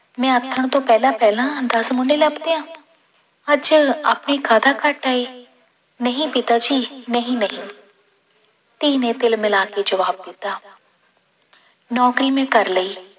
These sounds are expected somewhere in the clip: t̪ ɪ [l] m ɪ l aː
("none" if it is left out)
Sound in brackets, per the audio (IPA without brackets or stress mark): l